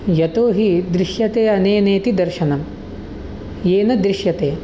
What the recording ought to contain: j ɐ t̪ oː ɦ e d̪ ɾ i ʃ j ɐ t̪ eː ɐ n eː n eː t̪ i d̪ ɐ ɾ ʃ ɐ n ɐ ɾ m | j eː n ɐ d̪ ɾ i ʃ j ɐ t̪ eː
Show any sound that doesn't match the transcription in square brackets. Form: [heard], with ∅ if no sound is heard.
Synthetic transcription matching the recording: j ɐ t̪ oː ɦ [i] d̪ ɾ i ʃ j ɐ t̪ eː ɐ n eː n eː t̪ i d̪ ɐ ɾ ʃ ɐ n ɐ [∅] m | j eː n ɐ d̪ ɾ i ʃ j ɐ t̪ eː